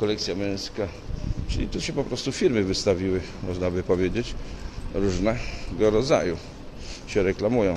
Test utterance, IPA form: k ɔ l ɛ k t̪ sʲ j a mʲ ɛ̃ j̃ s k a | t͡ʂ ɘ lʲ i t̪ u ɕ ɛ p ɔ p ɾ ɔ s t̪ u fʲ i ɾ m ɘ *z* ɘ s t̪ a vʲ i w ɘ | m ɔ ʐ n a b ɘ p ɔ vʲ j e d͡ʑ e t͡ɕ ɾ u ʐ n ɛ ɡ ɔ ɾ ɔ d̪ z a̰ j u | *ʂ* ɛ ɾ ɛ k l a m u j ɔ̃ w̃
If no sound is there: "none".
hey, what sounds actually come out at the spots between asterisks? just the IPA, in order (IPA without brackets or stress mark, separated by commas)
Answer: v, ɕ